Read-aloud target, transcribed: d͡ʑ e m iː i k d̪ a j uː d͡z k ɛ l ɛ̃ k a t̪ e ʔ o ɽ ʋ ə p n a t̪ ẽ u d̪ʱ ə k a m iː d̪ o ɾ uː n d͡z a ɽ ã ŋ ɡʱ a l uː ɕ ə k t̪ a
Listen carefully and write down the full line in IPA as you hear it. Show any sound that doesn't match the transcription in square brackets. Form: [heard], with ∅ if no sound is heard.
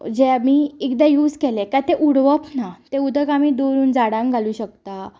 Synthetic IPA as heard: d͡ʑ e m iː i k d̪ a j uː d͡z k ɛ l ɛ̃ k a t̪ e ʔ [u] ɽ ʋ ə p n a t̪ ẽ u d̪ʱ ə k a m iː d̪ o ɾ uː n d͡z a ɽ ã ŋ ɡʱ a l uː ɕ ə k t̪ a